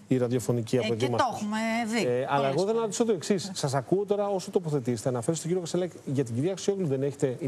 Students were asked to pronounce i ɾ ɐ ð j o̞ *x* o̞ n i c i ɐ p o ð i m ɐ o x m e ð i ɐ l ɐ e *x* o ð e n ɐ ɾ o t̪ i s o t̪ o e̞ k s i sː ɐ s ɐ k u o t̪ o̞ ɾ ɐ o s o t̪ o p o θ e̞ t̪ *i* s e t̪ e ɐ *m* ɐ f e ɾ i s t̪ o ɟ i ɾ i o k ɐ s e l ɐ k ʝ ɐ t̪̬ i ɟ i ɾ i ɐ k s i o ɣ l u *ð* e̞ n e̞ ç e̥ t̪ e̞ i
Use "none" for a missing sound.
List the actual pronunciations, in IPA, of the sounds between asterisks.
f, ɣ, i, n, ð

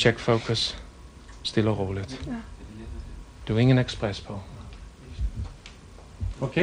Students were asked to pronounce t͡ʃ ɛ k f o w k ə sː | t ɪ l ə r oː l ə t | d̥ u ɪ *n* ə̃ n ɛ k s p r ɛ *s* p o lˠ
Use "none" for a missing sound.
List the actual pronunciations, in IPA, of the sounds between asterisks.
ŋ, s

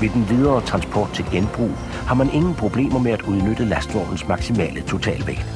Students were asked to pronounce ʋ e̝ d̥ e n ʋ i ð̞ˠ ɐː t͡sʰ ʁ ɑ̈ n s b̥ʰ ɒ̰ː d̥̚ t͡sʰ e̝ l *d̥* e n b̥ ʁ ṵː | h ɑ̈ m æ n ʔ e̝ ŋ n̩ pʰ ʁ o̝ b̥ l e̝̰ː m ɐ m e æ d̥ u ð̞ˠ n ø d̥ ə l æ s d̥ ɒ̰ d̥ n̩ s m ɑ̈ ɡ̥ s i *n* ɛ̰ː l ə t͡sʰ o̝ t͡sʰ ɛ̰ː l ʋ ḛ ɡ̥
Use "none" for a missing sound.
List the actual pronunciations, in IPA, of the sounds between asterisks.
ɡ̥, m

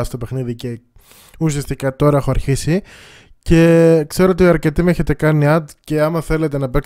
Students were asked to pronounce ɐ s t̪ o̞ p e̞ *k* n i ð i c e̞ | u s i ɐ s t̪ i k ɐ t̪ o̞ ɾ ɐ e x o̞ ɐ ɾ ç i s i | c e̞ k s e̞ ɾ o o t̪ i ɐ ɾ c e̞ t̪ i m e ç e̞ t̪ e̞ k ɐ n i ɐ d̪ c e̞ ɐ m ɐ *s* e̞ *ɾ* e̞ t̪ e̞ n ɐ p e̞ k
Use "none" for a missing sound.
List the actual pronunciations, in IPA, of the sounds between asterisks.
x, θ, l

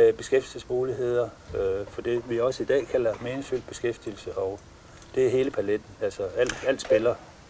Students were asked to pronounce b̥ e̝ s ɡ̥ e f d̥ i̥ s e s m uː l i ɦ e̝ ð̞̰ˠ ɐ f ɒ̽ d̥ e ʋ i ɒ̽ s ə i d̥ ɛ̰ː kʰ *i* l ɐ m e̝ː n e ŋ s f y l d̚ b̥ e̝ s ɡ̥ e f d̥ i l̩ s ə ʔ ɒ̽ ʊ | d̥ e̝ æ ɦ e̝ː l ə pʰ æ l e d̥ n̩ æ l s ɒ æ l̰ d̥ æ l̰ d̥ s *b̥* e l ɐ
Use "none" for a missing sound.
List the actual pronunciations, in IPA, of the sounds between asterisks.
æ, b̥

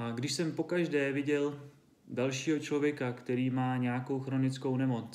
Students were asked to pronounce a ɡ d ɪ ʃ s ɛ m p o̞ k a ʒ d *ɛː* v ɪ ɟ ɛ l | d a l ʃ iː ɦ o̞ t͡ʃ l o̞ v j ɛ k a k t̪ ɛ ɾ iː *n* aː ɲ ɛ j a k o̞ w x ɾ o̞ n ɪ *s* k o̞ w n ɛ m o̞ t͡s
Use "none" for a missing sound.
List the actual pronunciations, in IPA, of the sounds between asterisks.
ɛː, m, t͡s

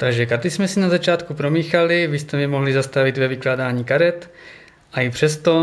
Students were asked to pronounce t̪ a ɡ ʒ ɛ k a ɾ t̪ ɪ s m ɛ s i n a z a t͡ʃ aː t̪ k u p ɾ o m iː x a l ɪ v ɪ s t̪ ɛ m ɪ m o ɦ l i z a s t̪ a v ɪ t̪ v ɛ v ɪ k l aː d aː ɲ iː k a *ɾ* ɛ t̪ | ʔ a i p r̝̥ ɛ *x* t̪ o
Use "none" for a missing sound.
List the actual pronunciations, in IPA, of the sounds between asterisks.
ɾ, s

